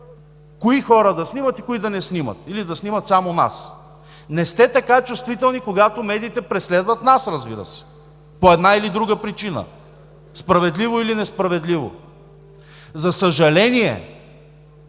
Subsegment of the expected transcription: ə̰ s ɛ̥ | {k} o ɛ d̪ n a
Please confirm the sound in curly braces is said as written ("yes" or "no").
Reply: no